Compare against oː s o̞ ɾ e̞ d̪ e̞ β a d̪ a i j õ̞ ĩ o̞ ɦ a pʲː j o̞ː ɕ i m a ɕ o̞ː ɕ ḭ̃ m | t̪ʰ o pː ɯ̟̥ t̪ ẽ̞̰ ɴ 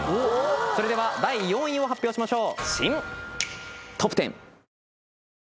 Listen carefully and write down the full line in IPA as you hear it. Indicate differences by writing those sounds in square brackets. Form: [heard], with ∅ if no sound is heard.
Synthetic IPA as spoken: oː s o̞ ɾ e̞ d̪ e̞ β a d̪ a i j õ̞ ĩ o̞ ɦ a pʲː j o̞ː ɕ i m a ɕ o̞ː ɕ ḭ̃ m | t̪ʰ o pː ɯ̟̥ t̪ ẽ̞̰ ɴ